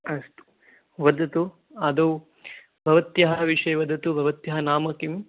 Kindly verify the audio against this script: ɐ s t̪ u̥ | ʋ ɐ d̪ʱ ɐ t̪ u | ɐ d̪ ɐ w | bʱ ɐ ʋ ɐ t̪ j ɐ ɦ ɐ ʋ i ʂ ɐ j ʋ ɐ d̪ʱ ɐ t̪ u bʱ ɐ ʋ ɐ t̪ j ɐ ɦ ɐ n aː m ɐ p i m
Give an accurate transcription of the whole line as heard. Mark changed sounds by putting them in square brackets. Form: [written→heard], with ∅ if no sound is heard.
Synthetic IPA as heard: ɐ s t̪ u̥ | ʋ ɐ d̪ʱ ɐ t̪ u | ɐ d̪ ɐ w | bʱ ɐ ʋ ɐ t̪ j ɐ ɦ ɐ ʋ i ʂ ɐ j ʋ ɐ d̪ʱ ɐ t̪ u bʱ ɐ ʋ ɐ t̪ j ɐ ɦ ɐ n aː m ɐ [p→k] i m